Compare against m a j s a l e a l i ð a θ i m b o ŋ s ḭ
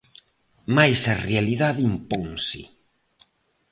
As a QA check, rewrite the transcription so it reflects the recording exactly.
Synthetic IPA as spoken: m a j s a r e a l i ð a ð i m p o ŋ s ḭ